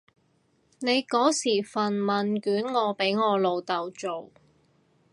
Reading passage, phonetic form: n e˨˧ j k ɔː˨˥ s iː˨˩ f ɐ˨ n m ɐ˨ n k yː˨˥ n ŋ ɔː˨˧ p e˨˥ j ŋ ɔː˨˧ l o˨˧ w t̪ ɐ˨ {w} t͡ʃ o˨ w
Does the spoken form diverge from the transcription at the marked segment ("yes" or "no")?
no